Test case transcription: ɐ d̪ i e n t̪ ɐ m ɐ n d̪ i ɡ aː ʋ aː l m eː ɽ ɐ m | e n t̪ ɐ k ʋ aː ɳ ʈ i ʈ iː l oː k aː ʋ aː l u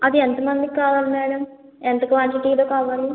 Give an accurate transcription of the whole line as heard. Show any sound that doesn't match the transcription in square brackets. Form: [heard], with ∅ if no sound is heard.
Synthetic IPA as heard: ɐ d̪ i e n t̪ ɐ m ɐ n d̪ i [k] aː ʋ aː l m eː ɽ ɐ m | e n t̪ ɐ k ʋ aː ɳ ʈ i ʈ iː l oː k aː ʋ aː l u